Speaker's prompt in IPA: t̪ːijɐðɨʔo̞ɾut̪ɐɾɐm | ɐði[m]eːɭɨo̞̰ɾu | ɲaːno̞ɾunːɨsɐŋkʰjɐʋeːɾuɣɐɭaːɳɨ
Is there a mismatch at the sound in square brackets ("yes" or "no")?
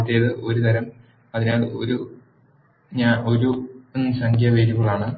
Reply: yes